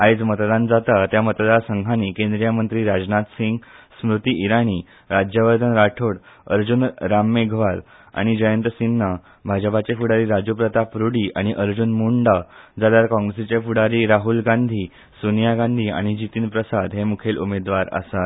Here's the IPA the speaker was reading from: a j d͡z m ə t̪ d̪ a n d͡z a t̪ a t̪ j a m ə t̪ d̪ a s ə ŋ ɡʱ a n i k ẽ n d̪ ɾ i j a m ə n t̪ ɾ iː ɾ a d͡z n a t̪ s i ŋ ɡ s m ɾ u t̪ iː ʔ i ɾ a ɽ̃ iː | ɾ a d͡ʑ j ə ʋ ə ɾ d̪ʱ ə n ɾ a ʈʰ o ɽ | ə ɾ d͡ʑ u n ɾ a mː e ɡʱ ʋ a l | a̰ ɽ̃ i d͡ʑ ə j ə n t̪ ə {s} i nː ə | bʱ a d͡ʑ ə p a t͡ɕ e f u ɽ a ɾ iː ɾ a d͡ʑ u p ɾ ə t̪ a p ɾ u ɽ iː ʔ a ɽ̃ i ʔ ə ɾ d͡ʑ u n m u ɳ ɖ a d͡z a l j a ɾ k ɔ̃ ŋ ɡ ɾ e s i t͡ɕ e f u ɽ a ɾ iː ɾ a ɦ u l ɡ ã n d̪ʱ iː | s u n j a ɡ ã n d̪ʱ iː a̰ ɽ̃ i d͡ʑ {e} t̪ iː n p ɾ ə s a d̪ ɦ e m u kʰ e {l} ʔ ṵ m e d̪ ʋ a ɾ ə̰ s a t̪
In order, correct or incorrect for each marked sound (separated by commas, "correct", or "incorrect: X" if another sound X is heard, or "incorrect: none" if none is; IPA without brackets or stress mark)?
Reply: correct, incorrect: i, correct